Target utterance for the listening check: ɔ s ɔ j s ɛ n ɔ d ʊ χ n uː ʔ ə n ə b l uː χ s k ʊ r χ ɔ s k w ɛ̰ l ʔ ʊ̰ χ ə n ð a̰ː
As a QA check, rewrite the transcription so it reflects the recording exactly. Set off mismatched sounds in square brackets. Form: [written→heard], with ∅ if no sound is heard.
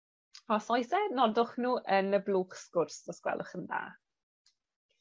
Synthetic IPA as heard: ɔ s ɔ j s ɛ n ɔ d ʊ χ n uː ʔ ə n ə b l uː χ s k ʊ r [χ→s] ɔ s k w ɛ̰ l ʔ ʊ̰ χ ə n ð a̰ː